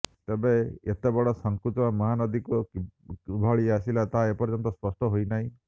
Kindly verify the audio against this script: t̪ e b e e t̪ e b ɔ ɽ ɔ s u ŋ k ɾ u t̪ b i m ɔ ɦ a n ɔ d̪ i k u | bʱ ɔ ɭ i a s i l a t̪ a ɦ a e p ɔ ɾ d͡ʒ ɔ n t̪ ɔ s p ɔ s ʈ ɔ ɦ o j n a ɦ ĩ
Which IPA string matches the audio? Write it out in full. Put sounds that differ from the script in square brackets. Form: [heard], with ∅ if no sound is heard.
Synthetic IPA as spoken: t̪ e b e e t̪ e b ɔ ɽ ɔ s [ɔ] ŋ k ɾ u t̪ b [a] m ɔ ɦ a n ɔ d̪ i k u | bʱ ɔ ɭ i a s i l a t̪ a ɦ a e p ɔ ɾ d͡ʒ ɔ n t̪ ɔ s p ɔ s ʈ ɔ ɦ o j n a ɦ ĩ